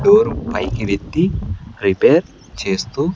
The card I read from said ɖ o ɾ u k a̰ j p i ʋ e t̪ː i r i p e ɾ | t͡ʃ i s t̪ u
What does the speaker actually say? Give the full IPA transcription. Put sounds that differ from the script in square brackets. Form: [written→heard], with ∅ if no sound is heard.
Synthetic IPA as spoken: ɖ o ɾ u [k→p] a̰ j [p→k] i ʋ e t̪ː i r i p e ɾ | t͡ʃ [i→e] s t̪ u